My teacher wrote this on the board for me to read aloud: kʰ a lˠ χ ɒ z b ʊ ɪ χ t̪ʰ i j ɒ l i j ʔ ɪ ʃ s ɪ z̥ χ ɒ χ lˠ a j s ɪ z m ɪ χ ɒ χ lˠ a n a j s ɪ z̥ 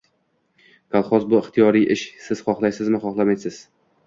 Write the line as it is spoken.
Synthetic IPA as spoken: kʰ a lˠ χ ɒ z b ʊ ɪ χ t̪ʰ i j ɒ ɾ i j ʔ ɪ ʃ s ɪ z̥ χ ɒ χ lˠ a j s ɪ z m ɪ χ ɒ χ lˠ a m a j s ɪ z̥